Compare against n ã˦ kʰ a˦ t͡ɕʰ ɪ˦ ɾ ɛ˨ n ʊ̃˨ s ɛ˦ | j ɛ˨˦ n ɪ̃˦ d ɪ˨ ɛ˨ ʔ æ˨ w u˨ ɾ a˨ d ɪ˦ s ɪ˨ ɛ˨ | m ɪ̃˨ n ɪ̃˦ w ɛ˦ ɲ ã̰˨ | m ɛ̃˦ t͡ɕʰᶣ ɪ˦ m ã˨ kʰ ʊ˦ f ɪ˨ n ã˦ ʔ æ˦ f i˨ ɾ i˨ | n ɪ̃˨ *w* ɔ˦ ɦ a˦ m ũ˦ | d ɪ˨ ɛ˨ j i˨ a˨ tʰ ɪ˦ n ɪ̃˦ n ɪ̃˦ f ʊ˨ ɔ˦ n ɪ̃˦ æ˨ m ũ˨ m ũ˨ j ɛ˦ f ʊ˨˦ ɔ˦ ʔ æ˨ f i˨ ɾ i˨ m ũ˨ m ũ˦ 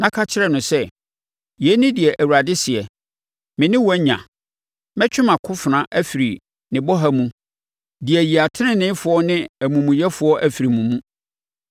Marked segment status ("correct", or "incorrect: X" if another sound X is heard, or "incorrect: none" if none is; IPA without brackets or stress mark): incorrect: b